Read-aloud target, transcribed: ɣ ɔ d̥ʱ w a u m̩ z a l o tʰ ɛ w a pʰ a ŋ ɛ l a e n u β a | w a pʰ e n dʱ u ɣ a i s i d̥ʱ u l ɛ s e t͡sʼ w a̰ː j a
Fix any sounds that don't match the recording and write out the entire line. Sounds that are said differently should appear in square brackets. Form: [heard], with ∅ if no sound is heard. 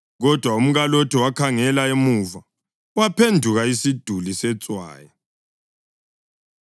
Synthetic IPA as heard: ɣ ɔ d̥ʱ w a u m̩ [ɣ] a l o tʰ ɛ w a [kʰ] a ŋ ɛ l a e [m] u [v] a | w a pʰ e n dʱ u ɣ a i s i d̥ʱ u l [i] s [ɛ] t͡sʼ w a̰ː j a